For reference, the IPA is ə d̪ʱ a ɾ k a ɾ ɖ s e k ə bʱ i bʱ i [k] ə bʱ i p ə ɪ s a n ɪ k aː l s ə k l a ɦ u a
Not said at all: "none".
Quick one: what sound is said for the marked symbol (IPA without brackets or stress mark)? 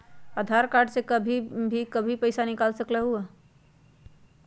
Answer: k